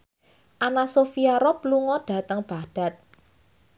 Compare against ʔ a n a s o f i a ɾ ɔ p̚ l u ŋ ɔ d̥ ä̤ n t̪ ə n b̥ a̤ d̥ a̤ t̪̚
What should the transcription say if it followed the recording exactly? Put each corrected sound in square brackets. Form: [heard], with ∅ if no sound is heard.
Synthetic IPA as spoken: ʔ a n a s o f i a ɾ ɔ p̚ l u ŋ ɔ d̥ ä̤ [∅] t̪ ə [ŋ] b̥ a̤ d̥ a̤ t̪̚

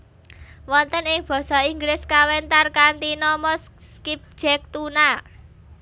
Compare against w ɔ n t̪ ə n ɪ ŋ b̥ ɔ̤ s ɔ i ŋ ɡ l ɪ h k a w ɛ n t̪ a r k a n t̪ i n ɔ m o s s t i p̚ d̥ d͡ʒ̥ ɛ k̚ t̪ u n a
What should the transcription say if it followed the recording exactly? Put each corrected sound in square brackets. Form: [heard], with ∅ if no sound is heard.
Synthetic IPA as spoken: w ɔ n t̪ ə n ɪ ŋ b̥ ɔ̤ s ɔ i ŋ ɡ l ɪ [s] k a w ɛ n t̪ a r k a n t̪ i n ɔ m [ɔ] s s [k] i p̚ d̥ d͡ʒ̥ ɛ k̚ t̪ u n a

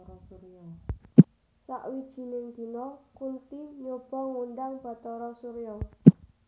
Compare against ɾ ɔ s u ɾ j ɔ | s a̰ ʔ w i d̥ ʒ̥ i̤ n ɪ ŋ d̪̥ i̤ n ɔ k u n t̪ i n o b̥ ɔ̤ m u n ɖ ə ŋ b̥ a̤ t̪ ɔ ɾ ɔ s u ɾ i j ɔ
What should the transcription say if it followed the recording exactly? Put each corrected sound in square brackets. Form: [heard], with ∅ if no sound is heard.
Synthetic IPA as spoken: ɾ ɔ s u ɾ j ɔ | s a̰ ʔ w i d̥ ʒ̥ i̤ n ɪ ŋ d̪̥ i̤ n ɔ k u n t̪ i [ɲ] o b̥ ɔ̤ [ŋ] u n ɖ [a] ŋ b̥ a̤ t̪ ɔ ɾ ɔ s u ɾ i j ɔ

